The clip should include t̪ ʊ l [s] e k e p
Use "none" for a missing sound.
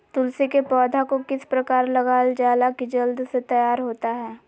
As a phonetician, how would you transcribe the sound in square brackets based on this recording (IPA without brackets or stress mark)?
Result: s